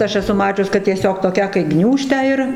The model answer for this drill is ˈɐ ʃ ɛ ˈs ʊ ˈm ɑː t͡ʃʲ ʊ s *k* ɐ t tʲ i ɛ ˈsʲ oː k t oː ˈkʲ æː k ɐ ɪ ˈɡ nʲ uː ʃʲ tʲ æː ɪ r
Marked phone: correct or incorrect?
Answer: correct